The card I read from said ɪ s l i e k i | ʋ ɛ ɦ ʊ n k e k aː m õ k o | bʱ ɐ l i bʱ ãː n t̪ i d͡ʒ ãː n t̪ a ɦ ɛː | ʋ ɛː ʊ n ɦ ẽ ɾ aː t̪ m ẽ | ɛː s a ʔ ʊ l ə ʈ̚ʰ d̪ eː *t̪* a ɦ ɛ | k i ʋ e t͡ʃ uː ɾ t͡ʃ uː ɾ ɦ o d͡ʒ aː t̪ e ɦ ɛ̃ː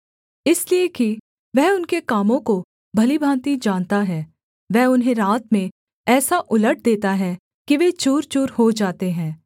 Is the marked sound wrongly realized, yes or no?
no